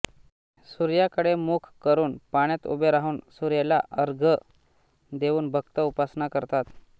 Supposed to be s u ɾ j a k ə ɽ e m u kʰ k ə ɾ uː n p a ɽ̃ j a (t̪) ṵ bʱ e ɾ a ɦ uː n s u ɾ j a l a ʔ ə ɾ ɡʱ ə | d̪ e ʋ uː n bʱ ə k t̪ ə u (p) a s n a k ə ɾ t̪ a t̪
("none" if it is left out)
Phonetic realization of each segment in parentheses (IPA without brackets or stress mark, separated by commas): t̪, p